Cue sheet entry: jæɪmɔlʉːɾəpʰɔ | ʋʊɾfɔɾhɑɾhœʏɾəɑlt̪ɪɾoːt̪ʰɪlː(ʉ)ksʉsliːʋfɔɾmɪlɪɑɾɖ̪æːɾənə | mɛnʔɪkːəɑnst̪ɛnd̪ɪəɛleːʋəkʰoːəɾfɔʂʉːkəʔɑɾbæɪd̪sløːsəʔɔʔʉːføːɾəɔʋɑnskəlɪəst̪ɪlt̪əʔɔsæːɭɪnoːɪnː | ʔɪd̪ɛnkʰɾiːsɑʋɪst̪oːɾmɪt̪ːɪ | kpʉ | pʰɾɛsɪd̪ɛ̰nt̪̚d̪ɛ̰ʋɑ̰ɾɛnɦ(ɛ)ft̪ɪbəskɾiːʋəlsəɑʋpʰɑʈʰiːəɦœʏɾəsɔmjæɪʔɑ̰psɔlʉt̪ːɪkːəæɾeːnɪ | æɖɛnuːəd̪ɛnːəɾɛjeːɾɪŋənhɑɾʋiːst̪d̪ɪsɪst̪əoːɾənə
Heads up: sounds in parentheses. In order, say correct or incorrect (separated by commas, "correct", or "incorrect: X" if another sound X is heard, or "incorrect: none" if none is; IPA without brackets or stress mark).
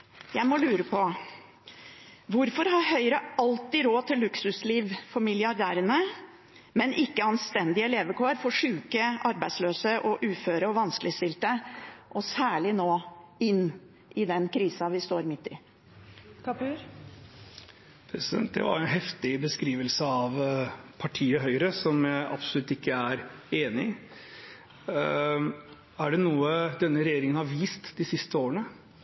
correct, correct